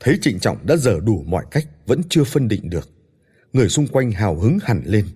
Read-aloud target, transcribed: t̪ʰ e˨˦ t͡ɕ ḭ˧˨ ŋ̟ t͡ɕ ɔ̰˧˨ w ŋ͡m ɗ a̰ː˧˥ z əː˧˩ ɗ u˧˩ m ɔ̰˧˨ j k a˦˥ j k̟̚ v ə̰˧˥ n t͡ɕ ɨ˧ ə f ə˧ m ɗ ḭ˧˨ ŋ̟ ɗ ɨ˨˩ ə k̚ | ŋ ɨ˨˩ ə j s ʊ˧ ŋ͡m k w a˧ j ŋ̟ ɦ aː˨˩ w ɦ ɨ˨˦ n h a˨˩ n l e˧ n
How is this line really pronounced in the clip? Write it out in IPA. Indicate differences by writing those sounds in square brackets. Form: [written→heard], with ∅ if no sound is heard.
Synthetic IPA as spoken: t̪ʰ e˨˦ t͡ɕ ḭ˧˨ ŋ̟ t͡ɕ ɔ̰˧˨ w ŋ͡m ɗ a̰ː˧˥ z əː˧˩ ɗ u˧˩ m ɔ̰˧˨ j k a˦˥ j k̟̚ v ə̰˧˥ n t͡ɕ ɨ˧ ə f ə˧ [m→n] ɗ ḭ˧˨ ŋ̟ ɗ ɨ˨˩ ə k̚ | ŋ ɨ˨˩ ə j s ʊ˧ ŋ͡m k w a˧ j ŋ̟ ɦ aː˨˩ w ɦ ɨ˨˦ [n→ŋ] h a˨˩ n l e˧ n